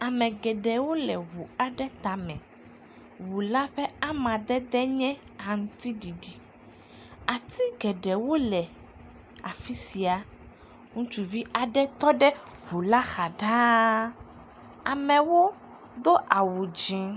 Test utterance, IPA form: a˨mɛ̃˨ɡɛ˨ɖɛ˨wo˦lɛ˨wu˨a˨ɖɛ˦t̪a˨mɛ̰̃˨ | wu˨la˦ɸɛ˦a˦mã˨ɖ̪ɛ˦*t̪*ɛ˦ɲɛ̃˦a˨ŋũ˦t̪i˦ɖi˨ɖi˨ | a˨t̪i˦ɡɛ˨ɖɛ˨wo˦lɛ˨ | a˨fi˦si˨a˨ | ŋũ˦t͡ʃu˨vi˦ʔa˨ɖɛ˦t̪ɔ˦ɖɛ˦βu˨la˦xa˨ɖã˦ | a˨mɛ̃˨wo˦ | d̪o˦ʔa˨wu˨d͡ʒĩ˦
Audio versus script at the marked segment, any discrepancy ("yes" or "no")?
yes